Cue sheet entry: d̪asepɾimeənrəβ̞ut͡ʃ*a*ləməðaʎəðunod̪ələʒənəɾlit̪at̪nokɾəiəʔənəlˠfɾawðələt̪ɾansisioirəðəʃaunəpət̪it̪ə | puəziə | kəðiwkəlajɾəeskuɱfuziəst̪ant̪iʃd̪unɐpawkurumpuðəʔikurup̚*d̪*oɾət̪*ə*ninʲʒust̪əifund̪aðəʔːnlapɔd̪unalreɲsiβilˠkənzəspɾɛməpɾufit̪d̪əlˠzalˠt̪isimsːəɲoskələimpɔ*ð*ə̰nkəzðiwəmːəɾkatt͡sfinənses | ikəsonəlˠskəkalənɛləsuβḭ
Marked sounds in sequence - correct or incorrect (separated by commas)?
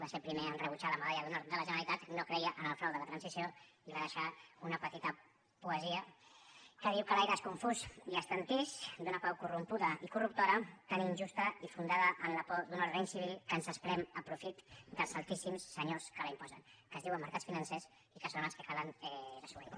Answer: correct, incorrect, incorrect, incorrect